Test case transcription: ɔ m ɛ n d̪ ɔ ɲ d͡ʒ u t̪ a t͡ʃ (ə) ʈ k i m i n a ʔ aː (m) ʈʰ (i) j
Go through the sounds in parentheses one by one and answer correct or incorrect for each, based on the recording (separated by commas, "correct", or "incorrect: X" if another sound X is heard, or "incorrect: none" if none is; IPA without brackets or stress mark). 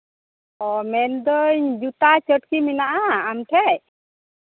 correct, correct, incorrect: ɛ